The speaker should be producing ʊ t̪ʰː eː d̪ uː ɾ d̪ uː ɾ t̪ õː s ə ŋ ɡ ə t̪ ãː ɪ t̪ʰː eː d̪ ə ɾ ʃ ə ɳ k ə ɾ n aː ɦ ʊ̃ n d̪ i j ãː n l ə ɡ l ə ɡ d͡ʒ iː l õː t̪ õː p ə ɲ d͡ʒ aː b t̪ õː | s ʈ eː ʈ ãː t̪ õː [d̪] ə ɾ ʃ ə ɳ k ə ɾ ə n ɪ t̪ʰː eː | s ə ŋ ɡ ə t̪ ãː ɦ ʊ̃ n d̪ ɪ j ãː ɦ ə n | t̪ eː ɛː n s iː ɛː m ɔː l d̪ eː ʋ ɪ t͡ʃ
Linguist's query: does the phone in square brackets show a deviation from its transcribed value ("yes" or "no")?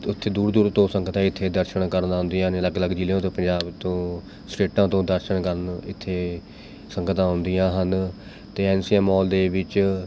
no